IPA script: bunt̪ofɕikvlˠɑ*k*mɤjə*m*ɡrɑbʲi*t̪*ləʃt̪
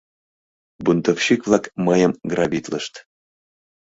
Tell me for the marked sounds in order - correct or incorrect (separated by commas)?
correct, correct, correct